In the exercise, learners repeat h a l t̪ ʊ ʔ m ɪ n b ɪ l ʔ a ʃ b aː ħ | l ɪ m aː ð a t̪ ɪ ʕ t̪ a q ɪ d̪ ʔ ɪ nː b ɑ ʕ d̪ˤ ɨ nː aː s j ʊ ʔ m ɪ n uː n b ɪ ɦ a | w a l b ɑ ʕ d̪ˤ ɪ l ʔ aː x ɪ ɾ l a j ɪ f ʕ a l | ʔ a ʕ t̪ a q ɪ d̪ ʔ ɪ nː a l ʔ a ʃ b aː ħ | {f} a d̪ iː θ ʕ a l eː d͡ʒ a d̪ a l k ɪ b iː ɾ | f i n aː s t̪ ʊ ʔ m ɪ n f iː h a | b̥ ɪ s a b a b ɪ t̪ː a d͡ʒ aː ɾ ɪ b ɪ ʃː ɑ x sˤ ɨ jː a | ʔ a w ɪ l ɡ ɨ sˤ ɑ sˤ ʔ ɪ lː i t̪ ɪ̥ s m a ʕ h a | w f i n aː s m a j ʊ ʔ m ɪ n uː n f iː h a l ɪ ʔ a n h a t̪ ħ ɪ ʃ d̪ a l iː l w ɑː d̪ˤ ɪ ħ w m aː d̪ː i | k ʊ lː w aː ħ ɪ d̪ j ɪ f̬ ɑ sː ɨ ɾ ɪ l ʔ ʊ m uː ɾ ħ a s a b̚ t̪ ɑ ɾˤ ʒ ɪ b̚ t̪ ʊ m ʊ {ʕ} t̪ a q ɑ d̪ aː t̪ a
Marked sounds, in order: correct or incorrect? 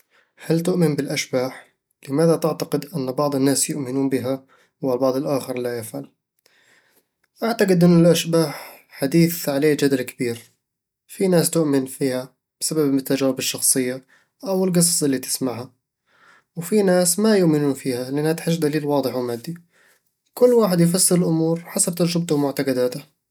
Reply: incorrect: ħ, correct

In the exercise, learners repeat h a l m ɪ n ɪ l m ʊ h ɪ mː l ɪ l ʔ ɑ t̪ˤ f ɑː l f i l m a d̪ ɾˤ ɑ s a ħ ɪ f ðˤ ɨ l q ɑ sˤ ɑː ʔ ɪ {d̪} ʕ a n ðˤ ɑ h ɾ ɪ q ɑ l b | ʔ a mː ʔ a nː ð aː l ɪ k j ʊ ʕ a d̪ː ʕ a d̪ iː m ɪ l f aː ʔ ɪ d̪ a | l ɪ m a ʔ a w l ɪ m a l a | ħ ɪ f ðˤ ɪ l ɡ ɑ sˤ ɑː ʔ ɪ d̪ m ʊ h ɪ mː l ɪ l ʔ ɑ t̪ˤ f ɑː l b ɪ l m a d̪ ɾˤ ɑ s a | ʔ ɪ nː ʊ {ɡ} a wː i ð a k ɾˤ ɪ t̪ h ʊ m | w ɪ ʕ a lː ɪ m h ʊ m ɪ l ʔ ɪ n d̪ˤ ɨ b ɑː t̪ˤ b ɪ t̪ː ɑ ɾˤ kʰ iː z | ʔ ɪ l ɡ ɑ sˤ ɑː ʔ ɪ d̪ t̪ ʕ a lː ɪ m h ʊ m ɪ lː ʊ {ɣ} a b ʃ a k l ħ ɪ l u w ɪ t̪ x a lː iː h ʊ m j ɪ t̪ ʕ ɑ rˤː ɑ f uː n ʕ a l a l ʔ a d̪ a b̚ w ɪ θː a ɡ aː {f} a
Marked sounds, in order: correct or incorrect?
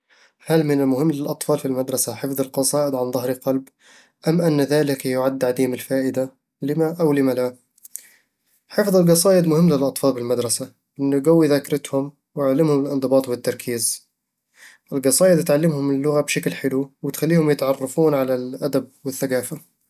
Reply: correct, correct, correct, correct

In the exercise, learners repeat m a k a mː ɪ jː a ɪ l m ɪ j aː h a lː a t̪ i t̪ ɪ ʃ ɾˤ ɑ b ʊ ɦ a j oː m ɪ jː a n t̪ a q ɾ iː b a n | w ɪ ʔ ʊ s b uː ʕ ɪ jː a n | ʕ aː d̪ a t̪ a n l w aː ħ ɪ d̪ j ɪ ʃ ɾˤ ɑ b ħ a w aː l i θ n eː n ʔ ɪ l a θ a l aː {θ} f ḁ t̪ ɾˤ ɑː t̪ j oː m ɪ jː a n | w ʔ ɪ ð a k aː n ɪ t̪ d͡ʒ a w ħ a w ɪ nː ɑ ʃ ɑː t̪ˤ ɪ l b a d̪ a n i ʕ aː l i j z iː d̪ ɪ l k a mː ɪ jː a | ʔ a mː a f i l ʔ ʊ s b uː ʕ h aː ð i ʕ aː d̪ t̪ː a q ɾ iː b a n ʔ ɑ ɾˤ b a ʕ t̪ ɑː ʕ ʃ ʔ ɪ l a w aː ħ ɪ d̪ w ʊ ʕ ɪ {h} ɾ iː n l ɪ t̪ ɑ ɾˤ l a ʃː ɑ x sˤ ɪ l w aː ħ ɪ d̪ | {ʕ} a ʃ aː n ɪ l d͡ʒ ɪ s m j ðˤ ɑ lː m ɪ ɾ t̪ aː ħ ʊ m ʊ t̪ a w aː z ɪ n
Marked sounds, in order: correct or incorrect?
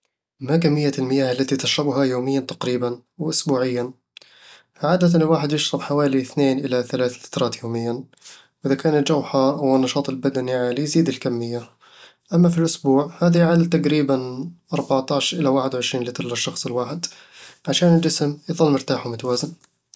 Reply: correct, incorrect: ʃ, correct

